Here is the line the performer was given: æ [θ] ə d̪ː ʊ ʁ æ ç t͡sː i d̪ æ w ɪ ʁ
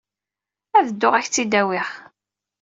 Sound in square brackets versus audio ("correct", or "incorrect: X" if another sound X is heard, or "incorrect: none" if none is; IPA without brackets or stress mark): incorrect: ð